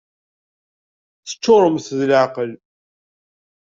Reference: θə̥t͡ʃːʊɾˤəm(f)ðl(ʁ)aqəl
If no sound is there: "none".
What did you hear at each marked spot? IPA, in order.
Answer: θ, ʕ

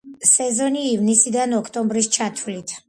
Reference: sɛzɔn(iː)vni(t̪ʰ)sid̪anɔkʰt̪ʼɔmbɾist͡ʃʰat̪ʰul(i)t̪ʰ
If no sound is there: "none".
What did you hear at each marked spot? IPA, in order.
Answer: iː, none, i

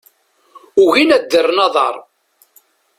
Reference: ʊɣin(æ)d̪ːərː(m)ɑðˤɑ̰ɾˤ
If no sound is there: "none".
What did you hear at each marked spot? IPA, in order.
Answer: æ, n

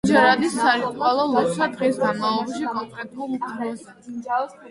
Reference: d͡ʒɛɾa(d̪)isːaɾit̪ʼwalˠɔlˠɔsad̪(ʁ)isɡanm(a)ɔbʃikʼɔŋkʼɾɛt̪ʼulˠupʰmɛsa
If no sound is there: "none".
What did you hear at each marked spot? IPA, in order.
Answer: d̪, ʁ, a

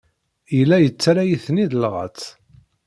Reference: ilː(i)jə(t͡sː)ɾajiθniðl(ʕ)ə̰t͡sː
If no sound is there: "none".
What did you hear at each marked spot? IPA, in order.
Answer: æ, t͡sː, ʁ

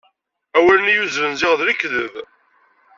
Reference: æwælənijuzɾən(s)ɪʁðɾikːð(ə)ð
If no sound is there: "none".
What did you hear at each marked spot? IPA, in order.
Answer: z, ə

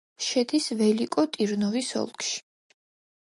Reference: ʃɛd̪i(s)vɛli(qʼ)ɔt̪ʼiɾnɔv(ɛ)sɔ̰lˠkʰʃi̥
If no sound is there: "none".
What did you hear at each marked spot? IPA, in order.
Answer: s, kʼ, i

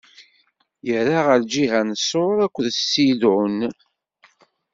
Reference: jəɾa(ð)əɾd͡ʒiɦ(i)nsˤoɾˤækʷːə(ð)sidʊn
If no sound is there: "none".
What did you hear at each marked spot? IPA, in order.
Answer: ʁ, æ, ð

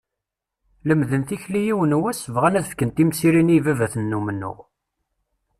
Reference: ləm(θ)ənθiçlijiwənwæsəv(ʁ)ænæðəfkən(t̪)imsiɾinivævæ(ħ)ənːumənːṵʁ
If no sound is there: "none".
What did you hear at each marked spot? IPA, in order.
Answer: ð, ʁ, t̪, θ

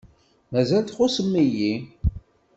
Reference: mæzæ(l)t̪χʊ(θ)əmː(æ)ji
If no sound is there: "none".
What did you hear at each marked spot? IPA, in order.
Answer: l, s, i

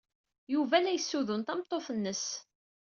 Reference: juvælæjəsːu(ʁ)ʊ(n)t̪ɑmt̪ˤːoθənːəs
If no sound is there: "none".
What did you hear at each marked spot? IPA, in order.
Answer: ð, n

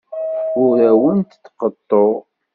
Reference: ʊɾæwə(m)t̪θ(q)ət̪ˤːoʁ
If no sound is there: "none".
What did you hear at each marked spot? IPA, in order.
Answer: n, q

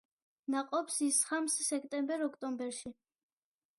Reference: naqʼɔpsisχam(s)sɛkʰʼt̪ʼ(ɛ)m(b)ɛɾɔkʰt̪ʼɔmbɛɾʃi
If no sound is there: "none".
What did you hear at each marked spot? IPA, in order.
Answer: s, ɛ, b

